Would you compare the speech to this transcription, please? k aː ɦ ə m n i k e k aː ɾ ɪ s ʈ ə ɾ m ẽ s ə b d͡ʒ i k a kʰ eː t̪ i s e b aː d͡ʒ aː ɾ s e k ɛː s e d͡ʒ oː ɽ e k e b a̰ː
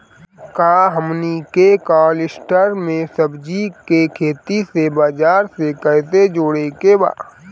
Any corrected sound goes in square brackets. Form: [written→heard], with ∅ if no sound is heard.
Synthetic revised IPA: k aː ɦ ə m n i k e k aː [ɾ→l] ɪ s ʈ ə ɾ m ẽ s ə b d͡ʒ i k [a→e] kʰ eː t̪ i s e b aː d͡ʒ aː ɾ s e k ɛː s e d͡ʒ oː ɽ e k e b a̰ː